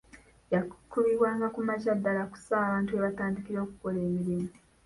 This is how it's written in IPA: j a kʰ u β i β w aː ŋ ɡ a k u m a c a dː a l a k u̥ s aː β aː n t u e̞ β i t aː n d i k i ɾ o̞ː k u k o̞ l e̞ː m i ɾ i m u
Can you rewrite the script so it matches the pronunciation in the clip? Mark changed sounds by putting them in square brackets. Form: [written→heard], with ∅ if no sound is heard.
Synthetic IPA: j a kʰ u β i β w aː ŋ ɡ a k u m a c a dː a l a k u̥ s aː β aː n t u e̞ β [i→a] t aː n d i k i ɾ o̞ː k u k o̞ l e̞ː m i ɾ i m u

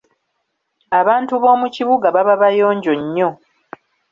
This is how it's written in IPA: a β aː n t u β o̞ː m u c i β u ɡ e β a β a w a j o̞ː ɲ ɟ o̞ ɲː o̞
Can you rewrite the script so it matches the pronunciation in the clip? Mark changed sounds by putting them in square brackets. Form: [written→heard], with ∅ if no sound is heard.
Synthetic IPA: a β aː n t u β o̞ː m u c i β u ɡ [e→a] β a β a [w→β] a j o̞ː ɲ ɟ o̞ ɲː o̞

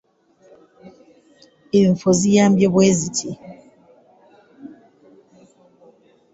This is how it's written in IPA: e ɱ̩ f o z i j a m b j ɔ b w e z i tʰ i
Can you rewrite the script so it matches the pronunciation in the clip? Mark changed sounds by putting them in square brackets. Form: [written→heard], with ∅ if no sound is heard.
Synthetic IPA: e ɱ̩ f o z i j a m b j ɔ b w e z i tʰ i

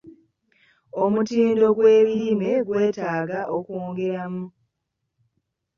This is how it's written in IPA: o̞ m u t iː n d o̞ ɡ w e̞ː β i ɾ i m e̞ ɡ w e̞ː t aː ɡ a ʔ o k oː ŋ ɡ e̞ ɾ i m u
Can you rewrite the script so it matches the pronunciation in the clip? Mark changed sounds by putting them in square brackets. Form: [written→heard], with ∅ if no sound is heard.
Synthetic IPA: o̞ m u t iː n d o̞ ɡ w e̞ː β i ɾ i m e̞ ɡ w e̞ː t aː ɡ a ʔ o k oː ŋ ɡ e̞ ɾ [i→a] m u

